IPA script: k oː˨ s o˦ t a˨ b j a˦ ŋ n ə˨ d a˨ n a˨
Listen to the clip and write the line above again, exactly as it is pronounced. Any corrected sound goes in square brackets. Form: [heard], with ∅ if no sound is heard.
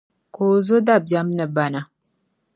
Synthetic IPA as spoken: k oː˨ [z] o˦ [d] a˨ b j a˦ [m] n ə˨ [b] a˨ n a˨